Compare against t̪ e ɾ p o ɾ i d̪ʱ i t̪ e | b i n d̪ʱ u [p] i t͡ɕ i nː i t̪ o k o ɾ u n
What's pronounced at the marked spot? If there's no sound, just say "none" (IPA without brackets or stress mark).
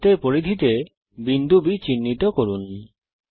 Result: b